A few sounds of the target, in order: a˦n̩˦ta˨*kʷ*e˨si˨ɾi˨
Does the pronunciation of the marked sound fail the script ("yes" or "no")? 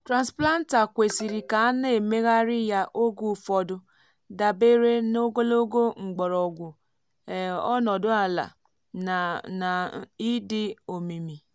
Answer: no